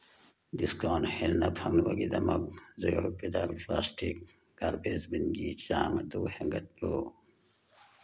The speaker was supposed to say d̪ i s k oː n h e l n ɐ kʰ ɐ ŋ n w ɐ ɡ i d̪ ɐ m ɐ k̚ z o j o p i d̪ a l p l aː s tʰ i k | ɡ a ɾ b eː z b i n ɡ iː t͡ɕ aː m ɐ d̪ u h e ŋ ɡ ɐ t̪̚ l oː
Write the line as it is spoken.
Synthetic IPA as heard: d̪ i s k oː n h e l n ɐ pʰ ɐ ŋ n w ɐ ɡ i d̪ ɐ m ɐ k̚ z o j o p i d̪ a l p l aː s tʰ i k | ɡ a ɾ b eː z b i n ɡ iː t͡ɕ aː m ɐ d̪ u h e ŋ ɡ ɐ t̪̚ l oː